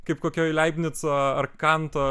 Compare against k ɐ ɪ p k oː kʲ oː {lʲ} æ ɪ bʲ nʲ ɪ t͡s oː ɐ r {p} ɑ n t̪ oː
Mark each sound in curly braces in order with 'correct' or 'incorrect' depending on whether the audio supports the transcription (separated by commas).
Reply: correct, incorrect